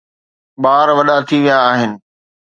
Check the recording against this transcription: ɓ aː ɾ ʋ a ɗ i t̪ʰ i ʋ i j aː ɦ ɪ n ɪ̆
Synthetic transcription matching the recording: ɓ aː ɾ ʋ ɐ ɗ a t̪ʰ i ʋ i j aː ɦ ɪ n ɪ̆